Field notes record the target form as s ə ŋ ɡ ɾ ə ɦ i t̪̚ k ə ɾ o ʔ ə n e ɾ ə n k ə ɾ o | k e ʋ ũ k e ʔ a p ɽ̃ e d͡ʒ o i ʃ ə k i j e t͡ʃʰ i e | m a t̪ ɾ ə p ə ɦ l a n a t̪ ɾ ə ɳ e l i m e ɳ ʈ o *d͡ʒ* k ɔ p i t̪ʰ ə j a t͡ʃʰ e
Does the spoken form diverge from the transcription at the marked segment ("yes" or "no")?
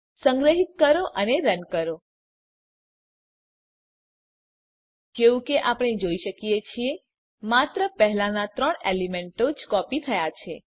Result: no